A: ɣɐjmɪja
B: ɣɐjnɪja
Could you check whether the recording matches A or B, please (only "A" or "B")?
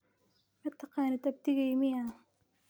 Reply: A